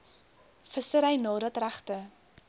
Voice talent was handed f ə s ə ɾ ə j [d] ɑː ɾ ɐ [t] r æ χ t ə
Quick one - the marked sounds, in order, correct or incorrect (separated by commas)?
incorrect, correct